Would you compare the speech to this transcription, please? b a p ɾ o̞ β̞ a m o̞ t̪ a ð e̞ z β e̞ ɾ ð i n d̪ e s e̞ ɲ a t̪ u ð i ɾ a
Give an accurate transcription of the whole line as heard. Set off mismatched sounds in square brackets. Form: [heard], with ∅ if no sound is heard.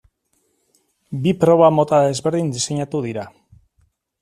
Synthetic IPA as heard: b [i] p ɾ o̞ β̞ a m o̞ t̪ a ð e̞ z β e̞ ɾ ð i n d̪ [i] s e̞ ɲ a t̪ u ð i ɾ a